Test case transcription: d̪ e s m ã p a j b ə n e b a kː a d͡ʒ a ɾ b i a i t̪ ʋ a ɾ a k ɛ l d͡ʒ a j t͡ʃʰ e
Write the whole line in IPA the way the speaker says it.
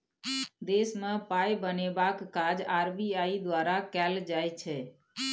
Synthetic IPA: d̪ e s m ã p a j b ə n e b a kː a d͡ʒ a ɾ b i a i d̪ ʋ a ɾ a k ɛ l d͡ʒ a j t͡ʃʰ e